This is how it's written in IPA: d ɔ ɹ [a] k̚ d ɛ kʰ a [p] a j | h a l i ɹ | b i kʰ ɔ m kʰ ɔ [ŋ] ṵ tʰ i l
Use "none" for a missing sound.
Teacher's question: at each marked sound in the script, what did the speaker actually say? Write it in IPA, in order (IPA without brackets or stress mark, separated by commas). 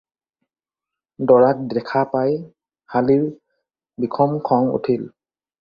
a, p, ŋ